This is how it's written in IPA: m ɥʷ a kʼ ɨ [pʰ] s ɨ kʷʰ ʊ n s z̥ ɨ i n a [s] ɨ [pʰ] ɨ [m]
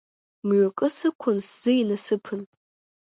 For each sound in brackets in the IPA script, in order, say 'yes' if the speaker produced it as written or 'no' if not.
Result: no, yes, yes, no

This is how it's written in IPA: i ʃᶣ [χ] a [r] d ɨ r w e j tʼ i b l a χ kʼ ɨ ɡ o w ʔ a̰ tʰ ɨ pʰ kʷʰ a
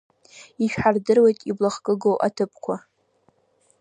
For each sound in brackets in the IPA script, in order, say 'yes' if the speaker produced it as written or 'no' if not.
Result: no, yes

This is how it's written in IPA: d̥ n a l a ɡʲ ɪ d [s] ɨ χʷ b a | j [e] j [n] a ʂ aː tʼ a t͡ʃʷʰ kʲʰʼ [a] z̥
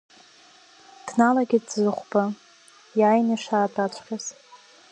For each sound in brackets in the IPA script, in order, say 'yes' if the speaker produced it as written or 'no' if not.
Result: no, no, yes, yes

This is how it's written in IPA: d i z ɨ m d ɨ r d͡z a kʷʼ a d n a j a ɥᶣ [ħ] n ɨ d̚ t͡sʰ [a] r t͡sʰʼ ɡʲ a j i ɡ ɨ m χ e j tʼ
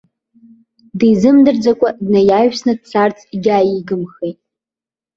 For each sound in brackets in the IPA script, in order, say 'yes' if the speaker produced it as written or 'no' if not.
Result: no, yes

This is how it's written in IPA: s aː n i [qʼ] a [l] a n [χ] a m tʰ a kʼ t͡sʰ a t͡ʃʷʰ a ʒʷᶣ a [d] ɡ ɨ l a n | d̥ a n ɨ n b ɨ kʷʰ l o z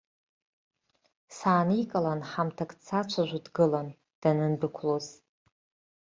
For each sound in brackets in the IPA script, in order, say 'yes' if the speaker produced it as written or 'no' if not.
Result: no, yes, no, yes

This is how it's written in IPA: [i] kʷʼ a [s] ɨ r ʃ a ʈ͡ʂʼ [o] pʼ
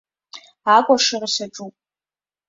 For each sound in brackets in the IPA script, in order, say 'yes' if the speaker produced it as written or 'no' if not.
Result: no, no, no

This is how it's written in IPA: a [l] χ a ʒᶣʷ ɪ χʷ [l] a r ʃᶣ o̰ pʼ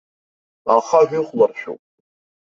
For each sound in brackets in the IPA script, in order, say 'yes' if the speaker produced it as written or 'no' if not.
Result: no, yes

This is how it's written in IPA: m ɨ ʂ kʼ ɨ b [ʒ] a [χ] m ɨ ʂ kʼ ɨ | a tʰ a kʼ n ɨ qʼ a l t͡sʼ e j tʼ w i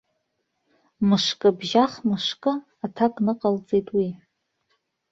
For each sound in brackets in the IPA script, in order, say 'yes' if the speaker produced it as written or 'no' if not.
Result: yes, yes

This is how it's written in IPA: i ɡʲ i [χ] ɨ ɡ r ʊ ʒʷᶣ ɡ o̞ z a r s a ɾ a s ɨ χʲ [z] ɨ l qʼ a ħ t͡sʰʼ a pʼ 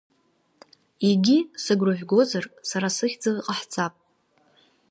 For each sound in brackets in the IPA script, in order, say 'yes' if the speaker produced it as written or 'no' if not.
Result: no, no

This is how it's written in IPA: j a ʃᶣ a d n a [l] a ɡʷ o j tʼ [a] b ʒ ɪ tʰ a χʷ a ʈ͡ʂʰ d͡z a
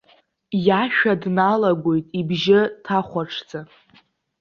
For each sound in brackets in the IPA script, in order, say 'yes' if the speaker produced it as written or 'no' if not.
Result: yes, no

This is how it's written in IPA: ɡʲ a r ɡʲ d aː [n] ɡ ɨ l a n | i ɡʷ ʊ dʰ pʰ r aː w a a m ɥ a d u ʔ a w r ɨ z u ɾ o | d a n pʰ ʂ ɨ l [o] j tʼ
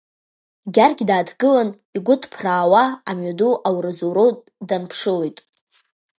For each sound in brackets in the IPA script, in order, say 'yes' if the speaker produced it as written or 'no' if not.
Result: no, yes

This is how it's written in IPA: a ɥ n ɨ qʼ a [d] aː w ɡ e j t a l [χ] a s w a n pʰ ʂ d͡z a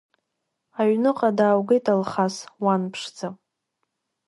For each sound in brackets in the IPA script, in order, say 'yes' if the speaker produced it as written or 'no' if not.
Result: yes, yes

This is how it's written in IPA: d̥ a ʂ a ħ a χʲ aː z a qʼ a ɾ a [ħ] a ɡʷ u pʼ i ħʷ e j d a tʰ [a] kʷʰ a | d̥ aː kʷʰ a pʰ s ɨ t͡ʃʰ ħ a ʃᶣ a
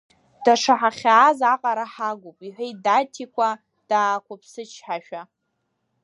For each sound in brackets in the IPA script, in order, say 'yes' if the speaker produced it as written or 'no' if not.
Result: yes, no

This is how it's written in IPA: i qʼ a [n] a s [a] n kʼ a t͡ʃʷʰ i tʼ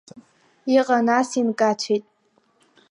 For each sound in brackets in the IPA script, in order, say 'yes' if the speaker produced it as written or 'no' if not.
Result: yes, no

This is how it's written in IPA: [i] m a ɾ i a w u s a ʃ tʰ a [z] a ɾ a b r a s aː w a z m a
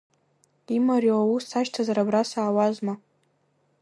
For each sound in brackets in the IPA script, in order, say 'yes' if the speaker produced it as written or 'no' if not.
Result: yes, yes

